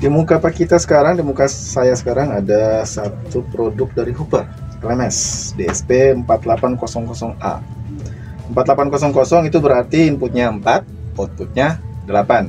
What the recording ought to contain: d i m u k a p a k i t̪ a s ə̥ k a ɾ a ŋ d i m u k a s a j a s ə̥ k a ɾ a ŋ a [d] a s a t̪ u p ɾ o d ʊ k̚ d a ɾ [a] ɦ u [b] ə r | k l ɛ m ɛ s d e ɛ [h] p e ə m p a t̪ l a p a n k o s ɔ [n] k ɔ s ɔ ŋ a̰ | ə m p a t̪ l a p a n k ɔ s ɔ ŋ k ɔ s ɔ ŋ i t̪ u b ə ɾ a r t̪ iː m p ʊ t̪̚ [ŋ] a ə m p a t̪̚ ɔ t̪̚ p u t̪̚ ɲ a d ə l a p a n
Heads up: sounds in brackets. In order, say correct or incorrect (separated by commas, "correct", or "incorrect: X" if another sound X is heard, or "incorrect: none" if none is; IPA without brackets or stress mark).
correct, incorrect: i, incorrect: p, incorrect: s, incorrect: ŋ, incorrect: ɲ